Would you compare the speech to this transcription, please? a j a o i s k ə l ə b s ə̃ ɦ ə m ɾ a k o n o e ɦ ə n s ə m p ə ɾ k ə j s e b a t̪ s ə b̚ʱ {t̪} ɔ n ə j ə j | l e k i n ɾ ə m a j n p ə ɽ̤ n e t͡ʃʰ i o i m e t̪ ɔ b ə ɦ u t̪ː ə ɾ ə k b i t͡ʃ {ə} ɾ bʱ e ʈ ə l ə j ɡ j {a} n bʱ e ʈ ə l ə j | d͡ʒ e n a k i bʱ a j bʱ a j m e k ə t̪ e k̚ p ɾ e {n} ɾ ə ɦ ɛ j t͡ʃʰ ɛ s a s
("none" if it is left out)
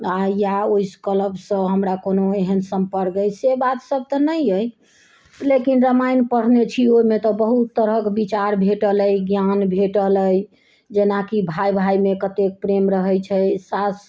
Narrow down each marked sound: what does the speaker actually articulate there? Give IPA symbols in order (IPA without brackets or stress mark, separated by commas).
t̪, a, a, m